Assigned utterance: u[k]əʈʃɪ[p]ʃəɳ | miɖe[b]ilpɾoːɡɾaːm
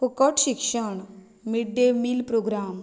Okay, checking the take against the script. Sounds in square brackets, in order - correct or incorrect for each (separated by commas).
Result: correct, incorrect, incorrect